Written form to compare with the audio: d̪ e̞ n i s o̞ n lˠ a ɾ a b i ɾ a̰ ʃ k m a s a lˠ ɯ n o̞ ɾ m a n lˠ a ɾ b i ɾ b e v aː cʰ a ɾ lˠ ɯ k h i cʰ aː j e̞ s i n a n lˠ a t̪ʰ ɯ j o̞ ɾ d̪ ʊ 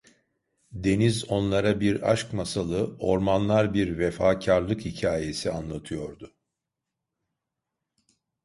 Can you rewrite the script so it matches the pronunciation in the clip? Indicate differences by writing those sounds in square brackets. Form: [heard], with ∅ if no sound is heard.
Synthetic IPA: d̪ e̞ n i [z] o̞ n lˠ a ɾ a b i ɾ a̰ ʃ k m a s a lˠ ɯ [∅] o̞ ɾ m a n lˠ a ɾ b i ɾ [v] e [f] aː cʰ a ɾ lˠ ɯ k h i cʰ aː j e̞ s i [∅] a n lˠ a t̪ʰ ɯ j o̞ ɾ d̪ ʊ